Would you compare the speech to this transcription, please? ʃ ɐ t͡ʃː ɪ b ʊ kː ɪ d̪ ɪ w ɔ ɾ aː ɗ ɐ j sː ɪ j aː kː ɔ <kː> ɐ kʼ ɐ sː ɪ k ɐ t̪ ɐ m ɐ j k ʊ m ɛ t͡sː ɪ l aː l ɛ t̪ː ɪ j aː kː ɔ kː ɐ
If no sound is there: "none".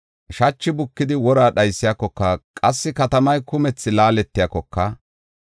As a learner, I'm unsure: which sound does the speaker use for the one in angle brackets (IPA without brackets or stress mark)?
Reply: kː